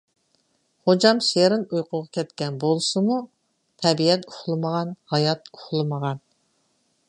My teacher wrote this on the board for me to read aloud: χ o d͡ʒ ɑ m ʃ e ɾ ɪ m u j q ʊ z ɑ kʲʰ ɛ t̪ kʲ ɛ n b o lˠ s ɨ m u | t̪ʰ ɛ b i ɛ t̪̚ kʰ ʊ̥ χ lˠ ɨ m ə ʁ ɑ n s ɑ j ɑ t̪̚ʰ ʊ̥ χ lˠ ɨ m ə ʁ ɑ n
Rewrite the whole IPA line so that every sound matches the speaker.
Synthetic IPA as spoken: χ o d͡ʒ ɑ m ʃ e ɾ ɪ n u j q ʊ ʁ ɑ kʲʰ ɛ t̪ kʲ ɛ n b o lˠ s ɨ m u | t̪ʰ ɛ b i ɛ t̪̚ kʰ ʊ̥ χ lˠ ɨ m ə ʁ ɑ n h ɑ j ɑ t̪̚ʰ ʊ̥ χ lˠ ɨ m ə ʁ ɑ n